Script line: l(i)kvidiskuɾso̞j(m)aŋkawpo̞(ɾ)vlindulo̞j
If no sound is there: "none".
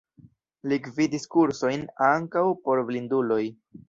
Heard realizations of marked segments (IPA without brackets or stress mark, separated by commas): i, n, ɾ